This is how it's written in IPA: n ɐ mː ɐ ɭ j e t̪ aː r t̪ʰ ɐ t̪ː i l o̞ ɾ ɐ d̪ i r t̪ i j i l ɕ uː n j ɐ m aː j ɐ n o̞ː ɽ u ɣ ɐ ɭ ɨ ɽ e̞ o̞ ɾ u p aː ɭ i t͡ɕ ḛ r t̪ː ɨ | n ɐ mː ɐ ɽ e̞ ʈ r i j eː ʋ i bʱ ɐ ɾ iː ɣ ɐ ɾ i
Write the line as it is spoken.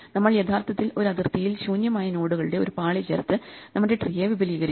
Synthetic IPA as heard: n ɐ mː ɐ ɭ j e t̪ʰ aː r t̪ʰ ɐ t̪ː i l o̞ ɾ ɐ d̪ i r t̪ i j i l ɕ uː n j ɐ m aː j ɐ n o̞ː ɽ u ɣ ɐ ɭ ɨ ɽ e̞ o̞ ɾ u p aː ɭ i t͡ɕ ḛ r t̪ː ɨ | n ɐ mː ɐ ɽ e̞ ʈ r i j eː ʋ i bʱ ɐ l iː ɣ ɐ ɾ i